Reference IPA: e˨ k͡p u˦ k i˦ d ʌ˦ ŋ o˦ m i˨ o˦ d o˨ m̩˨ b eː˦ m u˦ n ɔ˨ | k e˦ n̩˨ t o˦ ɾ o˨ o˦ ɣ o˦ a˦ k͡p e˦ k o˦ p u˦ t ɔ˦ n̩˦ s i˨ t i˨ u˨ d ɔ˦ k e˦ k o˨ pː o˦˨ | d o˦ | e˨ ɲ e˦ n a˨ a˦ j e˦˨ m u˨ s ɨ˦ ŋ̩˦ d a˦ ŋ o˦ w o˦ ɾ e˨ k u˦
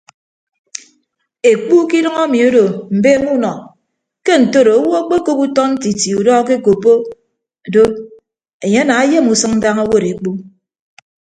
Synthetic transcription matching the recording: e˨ k͡p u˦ k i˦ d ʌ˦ ŋ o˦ m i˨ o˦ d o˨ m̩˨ b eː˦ m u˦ n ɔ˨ | k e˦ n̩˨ t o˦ ɾ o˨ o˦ w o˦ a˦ k͡p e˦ k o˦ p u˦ t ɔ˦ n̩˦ t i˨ t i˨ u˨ d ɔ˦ k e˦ k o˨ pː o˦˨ | d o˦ | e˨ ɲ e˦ n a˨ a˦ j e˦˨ m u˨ s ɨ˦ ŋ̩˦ d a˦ ŋ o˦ w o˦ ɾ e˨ k͡p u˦

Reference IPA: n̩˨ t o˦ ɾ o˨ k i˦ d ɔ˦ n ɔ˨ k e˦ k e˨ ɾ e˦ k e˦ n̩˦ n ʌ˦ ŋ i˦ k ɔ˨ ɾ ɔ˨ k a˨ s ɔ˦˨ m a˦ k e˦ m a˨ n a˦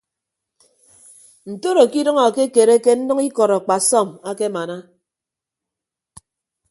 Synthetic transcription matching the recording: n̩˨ t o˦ ɾ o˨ k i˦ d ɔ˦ ŋ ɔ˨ k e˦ k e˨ ɾ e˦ k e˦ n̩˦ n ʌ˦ ŋ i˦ k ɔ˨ ɾ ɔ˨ k͡p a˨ s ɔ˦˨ m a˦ k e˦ m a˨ n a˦

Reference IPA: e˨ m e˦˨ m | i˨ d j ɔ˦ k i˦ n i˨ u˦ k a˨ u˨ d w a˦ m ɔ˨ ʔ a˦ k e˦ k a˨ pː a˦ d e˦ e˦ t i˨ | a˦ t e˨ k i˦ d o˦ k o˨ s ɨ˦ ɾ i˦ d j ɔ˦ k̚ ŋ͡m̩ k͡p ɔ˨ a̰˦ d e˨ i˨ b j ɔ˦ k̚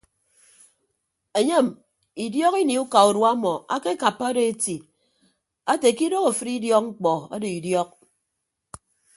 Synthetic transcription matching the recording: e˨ ɲ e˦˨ m | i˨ d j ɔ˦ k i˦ n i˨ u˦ k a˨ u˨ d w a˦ m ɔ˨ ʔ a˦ k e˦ k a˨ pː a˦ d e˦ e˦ t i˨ | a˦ t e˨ k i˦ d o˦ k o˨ f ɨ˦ ɾ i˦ d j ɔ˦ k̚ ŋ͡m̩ k͡p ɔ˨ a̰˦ d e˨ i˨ d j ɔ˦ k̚

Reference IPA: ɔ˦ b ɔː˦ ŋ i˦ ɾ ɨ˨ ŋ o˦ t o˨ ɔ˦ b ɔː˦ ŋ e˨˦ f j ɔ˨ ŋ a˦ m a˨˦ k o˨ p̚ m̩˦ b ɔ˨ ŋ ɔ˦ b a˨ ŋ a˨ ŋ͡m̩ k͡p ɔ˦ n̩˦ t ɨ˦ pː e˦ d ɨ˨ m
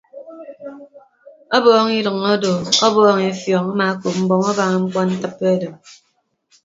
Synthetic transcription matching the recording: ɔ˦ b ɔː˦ ŋ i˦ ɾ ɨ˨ ŋ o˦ d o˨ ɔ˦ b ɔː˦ ŋ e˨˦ f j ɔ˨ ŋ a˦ m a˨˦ k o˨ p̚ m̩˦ b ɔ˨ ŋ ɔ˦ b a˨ ŋ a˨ ŋ͡m̩ k͡p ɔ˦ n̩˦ t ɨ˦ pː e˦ d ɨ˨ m

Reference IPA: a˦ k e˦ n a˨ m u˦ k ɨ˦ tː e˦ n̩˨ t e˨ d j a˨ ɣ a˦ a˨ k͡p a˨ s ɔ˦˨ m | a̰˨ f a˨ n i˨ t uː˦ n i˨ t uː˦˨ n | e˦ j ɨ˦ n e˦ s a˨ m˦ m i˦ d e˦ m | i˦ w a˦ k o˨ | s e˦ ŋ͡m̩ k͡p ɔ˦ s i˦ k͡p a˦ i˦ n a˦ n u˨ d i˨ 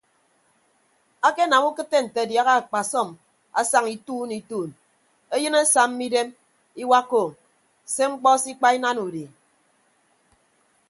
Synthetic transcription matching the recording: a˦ k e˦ n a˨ m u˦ k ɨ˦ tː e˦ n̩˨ t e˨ d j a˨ ɣ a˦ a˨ k͡p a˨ s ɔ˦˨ m | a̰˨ s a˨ ŋ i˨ t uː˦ n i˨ t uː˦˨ n | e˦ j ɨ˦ n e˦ s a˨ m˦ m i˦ d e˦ m | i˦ w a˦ k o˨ | s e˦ ŋ͡m̩ k͡p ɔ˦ s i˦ k͡p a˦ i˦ n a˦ n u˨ d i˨

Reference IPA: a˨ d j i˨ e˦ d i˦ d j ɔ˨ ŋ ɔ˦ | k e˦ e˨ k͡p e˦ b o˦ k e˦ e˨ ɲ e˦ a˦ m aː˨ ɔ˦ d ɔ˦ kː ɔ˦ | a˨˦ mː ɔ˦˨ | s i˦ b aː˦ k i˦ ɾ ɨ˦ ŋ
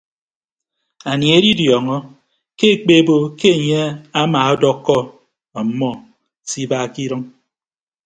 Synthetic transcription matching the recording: a˨ n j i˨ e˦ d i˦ d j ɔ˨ ŋ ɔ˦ | k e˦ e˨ k͡p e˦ b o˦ k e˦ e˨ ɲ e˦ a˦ m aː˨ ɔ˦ d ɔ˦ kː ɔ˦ | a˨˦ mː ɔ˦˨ | s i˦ b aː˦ k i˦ ɾ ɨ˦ ŋ

